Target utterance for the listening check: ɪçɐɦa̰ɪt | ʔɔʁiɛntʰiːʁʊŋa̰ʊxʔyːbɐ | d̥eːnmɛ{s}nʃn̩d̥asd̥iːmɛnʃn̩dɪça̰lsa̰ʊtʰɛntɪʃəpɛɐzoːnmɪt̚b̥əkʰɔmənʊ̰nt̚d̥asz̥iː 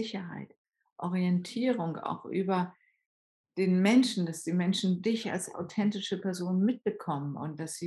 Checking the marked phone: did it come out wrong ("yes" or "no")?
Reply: yes